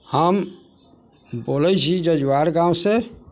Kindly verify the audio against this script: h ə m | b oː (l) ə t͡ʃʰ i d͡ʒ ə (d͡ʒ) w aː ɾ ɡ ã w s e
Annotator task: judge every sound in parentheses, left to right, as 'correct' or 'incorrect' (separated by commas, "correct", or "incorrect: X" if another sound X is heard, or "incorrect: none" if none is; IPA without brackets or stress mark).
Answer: correct, correct